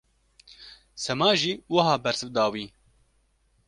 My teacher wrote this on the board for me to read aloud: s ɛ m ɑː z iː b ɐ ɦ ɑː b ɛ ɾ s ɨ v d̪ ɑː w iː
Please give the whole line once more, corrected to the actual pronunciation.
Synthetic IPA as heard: s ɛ m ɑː ʒ iː w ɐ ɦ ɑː b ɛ ɾ s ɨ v d̪ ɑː w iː